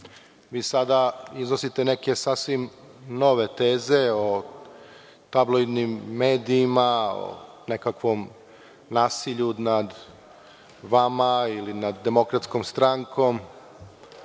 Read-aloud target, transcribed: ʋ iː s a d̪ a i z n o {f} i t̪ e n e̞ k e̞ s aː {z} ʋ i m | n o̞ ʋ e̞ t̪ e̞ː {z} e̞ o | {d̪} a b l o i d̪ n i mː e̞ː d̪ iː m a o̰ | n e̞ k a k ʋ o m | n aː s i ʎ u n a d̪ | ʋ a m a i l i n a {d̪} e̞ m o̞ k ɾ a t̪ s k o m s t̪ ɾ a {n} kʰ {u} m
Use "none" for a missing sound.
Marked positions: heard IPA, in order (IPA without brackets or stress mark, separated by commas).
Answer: s, s, z, t̪, d̪ː, ŋ, o